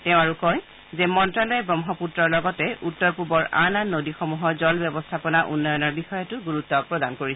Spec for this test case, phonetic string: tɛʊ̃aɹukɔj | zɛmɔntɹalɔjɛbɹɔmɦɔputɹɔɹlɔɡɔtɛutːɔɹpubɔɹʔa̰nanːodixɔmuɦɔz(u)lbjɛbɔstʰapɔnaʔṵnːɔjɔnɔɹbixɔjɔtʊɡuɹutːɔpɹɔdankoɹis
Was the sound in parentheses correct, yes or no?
no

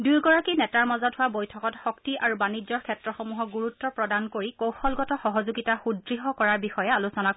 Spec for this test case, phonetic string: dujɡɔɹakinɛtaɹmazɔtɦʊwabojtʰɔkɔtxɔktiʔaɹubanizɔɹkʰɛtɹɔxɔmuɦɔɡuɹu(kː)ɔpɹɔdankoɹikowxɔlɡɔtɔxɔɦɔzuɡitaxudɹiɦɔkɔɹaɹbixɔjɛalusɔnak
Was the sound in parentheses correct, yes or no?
no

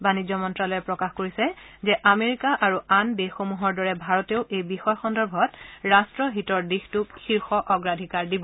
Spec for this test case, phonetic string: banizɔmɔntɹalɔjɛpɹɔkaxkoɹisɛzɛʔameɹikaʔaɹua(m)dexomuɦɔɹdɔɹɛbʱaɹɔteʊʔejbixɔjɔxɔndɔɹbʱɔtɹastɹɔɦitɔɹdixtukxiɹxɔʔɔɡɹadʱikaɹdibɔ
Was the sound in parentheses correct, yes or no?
no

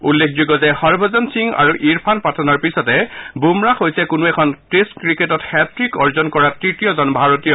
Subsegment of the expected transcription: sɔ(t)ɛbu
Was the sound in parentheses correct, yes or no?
yes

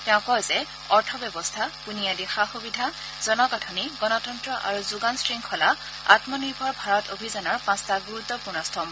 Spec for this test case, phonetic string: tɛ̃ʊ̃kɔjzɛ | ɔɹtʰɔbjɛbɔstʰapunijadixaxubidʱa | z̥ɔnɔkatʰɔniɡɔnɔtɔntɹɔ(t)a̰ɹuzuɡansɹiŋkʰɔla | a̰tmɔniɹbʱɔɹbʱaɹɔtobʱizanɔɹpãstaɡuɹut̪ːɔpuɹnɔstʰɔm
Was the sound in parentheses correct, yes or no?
no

